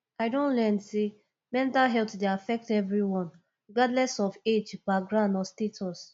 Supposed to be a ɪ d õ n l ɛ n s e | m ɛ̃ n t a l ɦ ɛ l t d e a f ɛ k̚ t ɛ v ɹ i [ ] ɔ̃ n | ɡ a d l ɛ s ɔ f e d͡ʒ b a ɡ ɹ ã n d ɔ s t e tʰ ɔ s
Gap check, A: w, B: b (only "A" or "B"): A